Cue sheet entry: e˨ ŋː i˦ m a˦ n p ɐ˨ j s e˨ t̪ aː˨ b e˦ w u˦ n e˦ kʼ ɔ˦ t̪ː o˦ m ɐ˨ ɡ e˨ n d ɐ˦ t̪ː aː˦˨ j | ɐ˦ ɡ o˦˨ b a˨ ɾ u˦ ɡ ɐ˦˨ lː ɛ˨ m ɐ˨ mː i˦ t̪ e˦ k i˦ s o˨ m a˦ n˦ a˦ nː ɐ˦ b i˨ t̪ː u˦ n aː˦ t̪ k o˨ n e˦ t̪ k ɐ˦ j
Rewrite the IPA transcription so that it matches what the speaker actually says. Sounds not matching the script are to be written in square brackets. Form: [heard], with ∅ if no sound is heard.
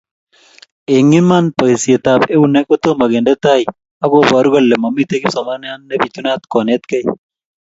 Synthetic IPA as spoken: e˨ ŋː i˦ m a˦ n p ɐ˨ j s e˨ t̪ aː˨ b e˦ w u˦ n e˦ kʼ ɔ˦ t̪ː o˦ m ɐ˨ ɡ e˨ n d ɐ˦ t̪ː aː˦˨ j | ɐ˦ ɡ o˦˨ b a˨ ɾ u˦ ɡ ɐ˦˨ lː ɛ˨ m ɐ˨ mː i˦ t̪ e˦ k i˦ s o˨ m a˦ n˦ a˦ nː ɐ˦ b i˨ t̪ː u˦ n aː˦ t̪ k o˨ n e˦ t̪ k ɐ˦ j